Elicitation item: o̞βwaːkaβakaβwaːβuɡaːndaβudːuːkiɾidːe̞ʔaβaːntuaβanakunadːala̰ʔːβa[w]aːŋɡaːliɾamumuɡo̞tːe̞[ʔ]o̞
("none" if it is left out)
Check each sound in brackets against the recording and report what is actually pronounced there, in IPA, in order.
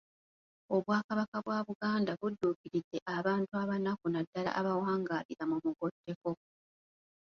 w, k

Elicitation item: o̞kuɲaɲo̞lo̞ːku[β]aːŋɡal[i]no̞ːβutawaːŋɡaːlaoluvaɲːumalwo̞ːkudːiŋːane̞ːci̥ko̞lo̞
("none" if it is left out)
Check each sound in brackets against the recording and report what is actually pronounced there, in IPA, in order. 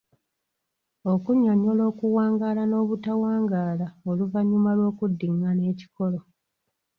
w, a

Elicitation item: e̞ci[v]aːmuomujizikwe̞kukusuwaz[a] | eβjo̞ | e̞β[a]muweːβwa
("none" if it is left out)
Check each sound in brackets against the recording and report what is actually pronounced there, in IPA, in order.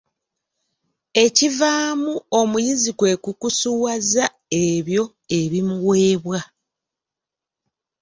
v, a, i

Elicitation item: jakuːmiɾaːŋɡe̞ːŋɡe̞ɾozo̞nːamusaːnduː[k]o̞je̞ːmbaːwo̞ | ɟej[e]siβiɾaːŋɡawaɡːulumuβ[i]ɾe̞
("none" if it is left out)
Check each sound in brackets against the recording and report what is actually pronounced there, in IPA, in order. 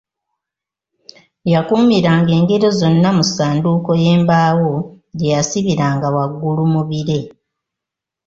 k, a, i

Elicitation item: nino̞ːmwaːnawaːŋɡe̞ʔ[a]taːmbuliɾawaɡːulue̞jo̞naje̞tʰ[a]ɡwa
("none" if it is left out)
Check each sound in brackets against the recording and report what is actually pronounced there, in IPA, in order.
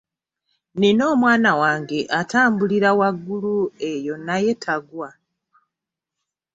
a, a

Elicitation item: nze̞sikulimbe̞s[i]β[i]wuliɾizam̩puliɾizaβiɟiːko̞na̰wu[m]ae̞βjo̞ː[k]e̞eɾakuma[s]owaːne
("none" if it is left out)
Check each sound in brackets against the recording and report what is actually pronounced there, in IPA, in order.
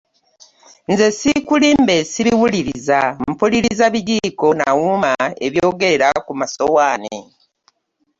i, i, m, ɡ, s

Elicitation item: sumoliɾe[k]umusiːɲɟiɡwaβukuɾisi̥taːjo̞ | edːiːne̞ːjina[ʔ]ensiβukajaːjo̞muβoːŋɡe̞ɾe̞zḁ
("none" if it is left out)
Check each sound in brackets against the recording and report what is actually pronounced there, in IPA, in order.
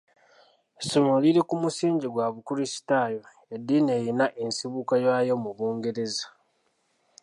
k, ʔ

